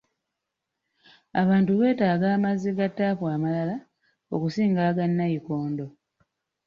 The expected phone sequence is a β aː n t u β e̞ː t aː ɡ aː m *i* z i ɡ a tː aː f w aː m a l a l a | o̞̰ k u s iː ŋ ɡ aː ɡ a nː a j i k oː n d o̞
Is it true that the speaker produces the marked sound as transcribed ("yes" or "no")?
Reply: no